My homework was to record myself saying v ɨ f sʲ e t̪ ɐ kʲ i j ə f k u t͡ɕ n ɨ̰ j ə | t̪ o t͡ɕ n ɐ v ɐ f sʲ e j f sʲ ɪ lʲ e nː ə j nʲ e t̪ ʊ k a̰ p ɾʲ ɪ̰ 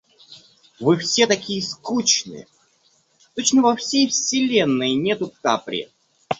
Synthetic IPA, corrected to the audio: v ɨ f sʲ e t̪ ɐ kʲ i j ə s k u t͡ɕ n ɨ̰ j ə | t̪ o t͡ɕ n ə v ɐ f sʲ e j f sʲ ɪ lʲ e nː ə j nʲ e t̪ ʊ k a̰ p ɾʲ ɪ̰

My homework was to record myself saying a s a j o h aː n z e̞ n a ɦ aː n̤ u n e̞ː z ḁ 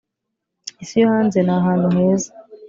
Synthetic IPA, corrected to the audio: i s i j o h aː n z e̞ n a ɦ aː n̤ u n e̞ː z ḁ

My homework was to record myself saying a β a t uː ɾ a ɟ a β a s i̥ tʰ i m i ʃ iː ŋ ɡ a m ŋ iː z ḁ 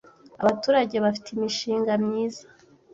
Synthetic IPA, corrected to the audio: a β a t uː ɾ a ɟ e β a f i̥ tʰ i m i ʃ iː ŋ ɡ a m ɲ iː z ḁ

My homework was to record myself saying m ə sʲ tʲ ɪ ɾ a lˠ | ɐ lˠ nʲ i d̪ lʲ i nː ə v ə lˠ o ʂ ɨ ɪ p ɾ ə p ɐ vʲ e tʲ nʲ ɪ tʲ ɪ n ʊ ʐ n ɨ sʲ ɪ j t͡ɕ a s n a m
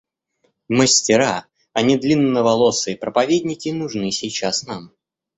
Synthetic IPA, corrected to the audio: m ə sʲ tʲ ɪ ɾ a | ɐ nʲ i d̪ lʲ i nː ə v ɐ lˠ o s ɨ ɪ p ɾ ə p ɐ vʲ e dʲ nʲ ɪ kʲ ɪ n ʊ ʐ n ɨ sʲ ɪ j t͡ɕ a s n a m

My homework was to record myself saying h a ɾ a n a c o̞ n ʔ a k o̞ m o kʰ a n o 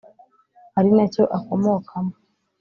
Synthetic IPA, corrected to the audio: h a ɾ i n a c o̞ ʔ a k o̞ m o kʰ a m o

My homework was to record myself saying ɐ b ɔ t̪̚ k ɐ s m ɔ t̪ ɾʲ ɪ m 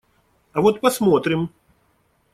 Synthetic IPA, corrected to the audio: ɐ v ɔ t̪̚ p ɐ s m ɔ t̪ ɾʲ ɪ m

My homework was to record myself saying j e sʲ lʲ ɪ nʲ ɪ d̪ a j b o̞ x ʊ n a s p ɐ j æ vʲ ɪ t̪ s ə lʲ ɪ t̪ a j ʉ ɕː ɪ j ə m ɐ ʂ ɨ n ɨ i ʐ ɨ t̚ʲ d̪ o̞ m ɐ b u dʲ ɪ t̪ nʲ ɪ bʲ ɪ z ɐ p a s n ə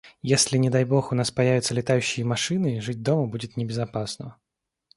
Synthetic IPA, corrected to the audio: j e sʲ lʲ ɪ nʲ ɪ d̪ a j b o̞ x ʊ n a s p ɐ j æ vʲ ɪ t̪ s ə lʲ ɪ t̪ a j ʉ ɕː ɪ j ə m ɐ ʂ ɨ n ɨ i ʐ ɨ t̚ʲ d̪ o̞ m ə b u dʲ ɪ t̪ nʲ ɪ bʲ ɪ z ɐ p a s n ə

